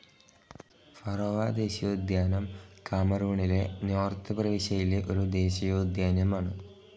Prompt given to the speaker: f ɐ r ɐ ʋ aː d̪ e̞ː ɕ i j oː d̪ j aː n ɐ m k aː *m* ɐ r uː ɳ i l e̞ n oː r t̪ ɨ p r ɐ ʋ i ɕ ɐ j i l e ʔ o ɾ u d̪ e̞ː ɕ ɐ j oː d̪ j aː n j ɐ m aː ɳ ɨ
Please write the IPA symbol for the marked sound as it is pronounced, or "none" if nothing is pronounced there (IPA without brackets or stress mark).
m